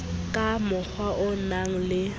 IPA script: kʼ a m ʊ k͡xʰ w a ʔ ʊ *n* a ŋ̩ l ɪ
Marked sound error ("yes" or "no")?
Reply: no